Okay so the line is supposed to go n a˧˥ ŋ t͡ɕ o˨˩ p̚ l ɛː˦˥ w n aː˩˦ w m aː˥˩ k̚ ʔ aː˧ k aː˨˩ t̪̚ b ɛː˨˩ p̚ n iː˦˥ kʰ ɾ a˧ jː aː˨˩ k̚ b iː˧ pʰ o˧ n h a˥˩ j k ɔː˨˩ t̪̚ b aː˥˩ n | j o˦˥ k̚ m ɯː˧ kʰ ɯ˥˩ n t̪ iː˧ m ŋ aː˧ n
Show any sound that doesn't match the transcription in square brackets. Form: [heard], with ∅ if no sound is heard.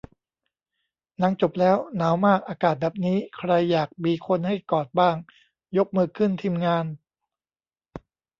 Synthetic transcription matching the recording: n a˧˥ ŋ t͡ɕ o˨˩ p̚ l ɛː˦˥ w n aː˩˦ w m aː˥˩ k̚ ʔ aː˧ k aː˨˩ t̪̚ b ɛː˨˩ p̚ n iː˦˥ kʰ ɾ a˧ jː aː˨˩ k̚ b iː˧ [kʰ] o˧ n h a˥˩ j k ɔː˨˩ t̪̚ b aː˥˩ [ŋ] | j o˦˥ k̚ m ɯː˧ kʰ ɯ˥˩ n [t̪ʰ] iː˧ m ŋ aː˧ n